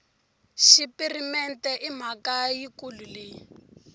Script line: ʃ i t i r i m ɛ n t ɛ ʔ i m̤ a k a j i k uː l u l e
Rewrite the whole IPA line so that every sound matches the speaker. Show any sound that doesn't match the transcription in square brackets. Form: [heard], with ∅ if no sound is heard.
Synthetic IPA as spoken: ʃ i [p] i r i m ɛ n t ɛ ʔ i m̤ a k a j i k [u] l u l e